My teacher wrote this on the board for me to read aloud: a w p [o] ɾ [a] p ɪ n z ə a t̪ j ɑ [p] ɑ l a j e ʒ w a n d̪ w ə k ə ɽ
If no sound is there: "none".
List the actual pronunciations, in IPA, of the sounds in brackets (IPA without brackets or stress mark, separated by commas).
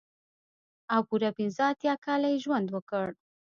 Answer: u, a, k